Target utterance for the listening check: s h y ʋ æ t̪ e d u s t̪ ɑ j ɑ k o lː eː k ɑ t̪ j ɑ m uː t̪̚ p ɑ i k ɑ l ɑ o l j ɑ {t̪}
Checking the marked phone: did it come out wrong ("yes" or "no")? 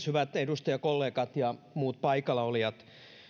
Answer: no